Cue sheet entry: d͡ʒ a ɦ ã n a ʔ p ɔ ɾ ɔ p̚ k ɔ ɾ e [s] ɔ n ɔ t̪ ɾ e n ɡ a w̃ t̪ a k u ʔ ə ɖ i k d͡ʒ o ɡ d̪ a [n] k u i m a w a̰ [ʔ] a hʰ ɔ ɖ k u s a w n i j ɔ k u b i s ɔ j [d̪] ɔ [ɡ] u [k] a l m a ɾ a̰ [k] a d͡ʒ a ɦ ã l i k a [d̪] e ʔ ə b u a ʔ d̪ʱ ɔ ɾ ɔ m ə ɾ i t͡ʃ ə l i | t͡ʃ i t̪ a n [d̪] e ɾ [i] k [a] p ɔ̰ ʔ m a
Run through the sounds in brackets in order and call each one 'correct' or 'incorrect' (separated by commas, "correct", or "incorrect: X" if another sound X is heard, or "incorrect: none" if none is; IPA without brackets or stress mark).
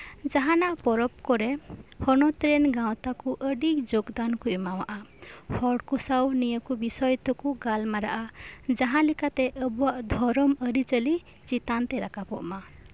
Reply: incorrect: h, correct, correct, incorrect: t̪, incorrect: k, incorrect: ɡ, incorrect: ʔ, incorrect: t̪, incorrect: t̪, incorrect: a, correct